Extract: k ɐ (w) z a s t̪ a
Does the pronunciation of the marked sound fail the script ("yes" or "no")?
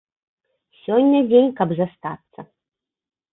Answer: yes